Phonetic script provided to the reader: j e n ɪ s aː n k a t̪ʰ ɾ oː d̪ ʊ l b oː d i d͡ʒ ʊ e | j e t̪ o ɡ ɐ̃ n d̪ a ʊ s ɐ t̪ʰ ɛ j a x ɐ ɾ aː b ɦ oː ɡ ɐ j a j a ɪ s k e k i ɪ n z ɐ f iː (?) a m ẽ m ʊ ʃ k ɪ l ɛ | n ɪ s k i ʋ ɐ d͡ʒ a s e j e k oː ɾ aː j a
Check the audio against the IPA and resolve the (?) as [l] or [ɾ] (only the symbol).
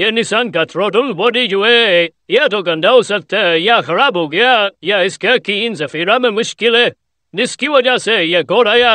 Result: ɾ